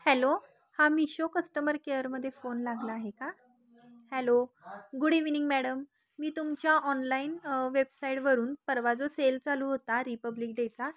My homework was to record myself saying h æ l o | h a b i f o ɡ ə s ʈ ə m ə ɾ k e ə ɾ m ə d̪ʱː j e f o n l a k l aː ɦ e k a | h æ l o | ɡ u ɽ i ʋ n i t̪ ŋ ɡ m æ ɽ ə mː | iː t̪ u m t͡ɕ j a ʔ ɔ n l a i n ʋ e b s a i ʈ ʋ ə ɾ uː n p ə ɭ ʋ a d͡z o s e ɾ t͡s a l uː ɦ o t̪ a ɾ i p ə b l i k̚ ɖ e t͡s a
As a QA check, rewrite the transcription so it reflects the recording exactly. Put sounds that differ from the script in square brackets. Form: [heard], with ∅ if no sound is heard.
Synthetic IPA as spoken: h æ l o | h a [m] i [ɕ] o [k] ə s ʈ ə m ə ɾ k e ə ɾ m ə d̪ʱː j e f o n l a [ɡ] l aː ɦ e k a | h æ l o | ɡ u ɽ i ʋ n i [∅] ŋ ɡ m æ ɽ ə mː | iː t̪ u m t͡ɕ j a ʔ ɔ n l a i n ʋ e b s a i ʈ ʋ ə ɾ uː n p ə [ɾ] ʋ a d͡z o s e [l] t͡s a l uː ɦ o t̪ a ɾ i p ə b l i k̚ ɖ e t͡s a